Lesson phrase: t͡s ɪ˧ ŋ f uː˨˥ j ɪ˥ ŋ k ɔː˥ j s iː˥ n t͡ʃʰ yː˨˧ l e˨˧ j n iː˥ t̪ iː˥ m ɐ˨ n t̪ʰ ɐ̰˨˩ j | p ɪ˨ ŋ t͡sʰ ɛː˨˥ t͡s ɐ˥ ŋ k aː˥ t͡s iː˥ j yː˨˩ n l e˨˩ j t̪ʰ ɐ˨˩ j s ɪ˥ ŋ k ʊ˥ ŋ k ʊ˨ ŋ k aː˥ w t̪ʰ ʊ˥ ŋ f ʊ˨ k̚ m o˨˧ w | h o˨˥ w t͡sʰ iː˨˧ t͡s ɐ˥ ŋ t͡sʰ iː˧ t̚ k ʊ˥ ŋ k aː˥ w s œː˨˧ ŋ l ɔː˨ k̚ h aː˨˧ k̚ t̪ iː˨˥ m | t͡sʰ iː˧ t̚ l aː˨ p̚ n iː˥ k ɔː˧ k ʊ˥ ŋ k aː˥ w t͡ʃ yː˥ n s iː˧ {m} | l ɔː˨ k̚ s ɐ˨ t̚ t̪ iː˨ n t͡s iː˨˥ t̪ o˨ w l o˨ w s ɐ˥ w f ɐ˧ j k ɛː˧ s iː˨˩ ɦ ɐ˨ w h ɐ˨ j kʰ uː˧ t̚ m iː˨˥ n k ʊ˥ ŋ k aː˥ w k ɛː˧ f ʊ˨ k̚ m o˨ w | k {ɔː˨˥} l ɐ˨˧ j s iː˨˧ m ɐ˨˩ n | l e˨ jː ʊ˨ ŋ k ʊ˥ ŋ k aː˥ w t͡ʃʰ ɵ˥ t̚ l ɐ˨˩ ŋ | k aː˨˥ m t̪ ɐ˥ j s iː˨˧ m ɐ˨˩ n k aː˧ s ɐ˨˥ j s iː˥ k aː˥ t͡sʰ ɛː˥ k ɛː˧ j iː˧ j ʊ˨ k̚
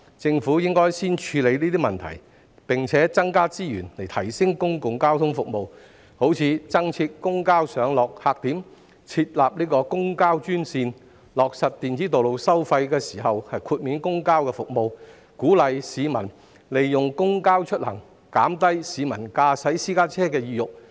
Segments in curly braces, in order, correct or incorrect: incorrect: n, incorrect: uː˨˥

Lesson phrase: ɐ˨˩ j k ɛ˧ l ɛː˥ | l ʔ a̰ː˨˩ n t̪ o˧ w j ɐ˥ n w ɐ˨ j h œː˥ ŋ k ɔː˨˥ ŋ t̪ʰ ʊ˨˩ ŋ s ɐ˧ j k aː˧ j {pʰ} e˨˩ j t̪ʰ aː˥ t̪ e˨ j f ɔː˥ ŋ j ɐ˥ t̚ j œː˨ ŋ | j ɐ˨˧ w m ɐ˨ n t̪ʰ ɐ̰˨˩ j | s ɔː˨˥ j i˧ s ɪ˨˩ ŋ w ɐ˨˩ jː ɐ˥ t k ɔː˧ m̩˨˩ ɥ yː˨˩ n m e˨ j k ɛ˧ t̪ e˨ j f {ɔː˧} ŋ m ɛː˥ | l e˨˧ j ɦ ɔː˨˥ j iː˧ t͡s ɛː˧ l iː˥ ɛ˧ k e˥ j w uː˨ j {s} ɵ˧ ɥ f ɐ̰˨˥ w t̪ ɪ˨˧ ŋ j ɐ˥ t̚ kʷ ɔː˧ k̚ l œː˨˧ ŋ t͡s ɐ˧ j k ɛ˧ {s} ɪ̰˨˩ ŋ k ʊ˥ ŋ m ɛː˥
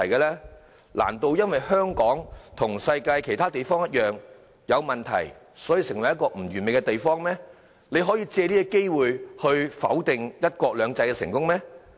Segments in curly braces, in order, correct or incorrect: incorrect: kʰ, incorrect: ɔː˥, incorrect: h, correct

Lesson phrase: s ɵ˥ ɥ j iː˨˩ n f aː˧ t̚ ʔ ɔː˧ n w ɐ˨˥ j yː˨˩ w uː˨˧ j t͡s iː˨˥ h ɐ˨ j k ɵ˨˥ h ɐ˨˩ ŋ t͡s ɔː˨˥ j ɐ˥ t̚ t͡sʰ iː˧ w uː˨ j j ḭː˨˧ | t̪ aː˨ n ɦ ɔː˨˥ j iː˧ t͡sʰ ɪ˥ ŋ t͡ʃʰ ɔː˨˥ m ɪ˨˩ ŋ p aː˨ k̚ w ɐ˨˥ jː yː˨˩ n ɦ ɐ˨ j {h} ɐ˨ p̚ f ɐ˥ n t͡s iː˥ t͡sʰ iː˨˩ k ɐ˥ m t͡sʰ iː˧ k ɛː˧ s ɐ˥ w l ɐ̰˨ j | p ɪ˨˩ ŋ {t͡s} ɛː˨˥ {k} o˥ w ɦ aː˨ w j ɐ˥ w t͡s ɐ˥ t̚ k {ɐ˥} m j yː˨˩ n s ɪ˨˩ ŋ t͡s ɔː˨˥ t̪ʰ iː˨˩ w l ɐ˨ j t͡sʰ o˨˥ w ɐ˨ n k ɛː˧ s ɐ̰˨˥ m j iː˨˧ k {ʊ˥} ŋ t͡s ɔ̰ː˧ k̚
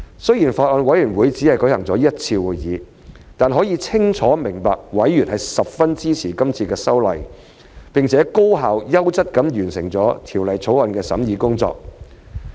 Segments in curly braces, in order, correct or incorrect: incorrect: s, incorrect: t͡sʰ, correct, incorrect: ɐ˨˥, correct

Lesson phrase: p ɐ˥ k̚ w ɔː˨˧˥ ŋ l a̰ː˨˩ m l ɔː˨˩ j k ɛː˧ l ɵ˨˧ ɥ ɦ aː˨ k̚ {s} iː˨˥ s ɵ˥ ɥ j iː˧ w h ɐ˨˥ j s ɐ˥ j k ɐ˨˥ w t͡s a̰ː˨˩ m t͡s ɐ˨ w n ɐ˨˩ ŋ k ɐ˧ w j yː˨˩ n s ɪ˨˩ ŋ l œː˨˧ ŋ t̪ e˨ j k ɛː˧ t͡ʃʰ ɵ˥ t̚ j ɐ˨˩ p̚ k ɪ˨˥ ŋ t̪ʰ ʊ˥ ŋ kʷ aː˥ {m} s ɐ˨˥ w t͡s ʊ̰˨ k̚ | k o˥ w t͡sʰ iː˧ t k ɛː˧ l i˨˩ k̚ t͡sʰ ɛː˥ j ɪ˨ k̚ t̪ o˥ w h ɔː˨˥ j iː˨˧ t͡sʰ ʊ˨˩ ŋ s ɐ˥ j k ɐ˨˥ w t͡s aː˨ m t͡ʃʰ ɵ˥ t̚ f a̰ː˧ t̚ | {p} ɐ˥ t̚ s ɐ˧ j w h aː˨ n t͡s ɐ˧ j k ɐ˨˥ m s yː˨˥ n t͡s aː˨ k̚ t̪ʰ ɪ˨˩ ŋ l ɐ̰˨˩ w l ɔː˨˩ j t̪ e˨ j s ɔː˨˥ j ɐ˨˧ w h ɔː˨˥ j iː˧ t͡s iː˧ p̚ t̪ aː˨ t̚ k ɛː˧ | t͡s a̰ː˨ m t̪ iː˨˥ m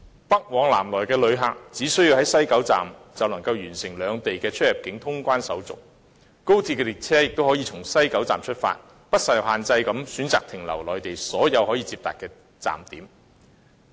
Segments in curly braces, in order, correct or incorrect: incorrect: t͡s, incorrect: n, correct

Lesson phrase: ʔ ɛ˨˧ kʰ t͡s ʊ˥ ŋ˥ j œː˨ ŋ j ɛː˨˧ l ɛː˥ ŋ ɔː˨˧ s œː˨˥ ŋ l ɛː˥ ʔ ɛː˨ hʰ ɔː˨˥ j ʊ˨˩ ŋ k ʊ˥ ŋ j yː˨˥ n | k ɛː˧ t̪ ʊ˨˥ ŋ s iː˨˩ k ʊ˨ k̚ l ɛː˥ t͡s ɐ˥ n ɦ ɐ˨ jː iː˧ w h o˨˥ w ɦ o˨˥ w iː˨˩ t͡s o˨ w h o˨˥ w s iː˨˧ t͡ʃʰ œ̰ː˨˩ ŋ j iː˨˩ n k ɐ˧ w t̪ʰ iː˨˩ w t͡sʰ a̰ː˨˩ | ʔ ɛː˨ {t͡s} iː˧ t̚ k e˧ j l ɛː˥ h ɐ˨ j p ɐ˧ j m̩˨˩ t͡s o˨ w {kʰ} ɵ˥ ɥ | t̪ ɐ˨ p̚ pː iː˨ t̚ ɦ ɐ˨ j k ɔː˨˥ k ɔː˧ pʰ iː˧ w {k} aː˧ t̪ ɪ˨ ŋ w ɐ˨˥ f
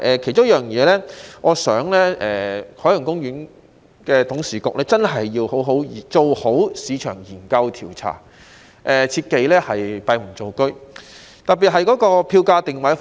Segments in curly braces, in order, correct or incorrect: incorrect: t͡sʰ, incorrect: k, correct

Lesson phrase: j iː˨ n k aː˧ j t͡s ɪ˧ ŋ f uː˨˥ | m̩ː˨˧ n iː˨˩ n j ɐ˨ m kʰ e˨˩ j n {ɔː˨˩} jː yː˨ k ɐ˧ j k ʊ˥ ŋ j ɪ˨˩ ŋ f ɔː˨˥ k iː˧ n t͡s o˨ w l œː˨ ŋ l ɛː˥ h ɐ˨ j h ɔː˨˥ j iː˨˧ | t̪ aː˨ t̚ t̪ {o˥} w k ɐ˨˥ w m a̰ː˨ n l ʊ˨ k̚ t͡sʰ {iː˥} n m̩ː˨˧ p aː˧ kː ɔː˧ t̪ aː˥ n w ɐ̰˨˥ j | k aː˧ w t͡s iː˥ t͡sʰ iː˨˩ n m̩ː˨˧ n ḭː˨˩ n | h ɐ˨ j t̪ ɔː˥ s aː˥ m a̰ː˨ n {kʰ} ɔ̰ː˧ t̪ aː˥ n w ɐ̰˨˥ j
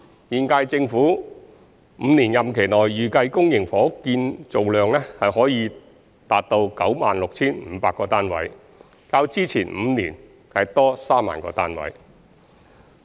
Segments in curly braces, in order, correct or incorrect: correct, incorrect: o˧, correct, incorrect: k

